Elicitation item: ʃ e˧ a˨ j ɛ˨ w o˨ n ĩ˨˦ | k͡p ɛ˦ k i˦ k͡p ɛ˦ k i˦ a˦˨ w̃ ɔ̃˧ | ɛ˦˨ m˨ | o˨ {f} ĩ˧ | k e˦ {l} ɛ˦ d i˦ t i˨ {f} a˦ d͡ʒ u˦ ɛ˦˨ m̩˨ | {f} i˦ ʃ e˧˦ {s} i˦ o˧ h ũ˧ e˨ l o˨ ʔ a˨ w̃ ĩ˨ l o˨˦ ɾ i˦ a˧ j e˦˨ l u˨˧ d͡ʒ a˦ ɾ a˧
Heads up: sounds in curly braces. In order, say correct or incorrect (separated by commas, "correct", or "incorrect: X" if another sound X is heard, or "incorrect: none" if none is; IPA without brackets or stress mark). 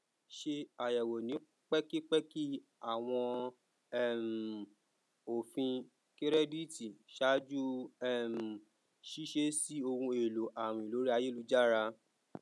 correct, incorrect: ɾ, incorrect: ʃ, incorrect: ʃ, correct